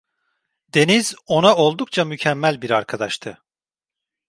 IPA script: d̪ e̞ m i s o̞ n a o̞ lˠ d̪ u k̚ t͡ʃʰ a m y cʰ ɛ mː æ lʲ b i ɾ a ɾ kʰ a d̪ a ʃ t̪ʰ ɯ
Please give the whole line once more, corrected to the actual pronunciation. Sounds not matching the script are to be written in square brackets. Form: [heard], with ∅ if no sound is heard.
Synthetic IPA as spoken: d̪ e̞ [n] i [z] o̞ n a o̞ lˠ d̪ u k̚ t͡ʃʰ a m y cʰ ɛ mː æ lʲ b i ɾ a ɾ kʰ a d̪ a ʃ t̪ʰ ɯ